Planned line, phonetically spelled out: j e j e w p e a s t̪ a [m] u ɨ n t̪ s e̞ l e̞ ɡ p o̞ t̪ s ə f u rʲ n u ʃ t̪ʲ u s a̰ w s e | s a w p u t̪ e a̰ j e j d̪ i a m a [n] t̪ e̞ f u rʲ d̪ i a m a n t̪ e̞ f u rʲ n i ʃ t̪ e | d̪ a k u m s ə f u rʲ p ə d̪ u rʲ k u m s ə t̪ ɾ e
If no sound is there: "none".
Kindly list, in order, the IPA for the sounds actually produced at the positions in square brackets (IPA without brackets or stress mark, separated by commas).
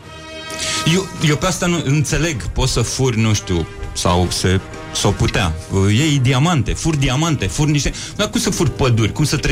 n, n